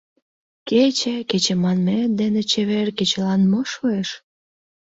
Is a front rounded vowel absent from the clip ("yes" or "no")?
yes